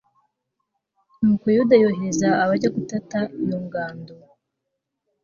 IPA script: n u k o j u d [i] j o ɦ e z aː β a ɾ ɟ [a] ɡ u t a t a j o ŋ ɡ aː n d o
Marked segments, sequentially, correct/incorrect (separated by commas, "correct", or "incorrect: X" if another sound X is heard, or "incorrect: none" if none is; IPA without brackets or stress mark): incorrect: a, correct